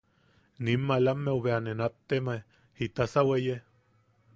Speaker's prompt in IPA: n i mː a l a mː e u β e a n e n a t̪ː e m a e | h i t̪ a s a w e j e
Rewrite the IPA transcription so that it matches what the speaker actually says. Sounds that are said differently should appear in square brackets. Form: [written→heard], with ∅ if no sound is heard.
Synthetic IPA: n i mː a l a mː e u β e a n e n a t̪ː e m a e | h i t̪ a s a w e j e

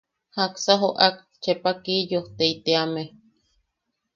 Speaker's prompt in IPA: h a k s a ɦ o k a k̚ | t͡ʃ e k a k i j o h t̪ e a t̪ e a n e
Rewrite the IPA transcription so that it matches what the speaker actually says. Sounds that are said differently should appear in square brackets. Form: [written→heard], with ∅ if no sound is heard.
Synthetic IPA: h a k s a ɦ o [k→ʔ] a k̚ | t͡ʃ e [k→p] a k i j o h t̪ e [a→i] t̪ e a [n→m] e

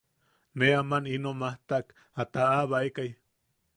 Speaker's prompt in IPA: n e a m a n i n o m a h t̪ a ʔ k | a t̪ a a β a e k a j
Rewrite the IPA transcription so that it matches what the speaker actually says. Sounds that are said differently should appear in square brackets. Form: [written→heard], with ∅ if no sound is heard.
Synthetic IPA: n e a m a n i n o m a h t̪ a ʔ k | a t̪ a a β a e k a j

